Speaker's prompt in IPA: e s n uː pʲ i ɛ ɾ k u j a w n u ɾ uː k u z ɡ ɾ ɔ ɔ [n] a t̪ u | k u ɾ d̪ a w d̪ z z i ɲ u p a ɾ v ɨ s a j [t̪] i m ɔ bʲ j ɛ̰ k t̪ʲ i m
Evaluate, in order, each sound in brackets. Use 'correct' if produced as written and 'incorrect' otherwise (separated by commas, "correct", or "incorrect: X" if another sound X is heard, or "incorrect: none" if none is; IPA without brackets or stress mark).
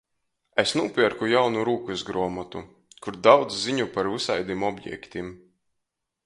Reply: incorrect: m, incorrect: d̪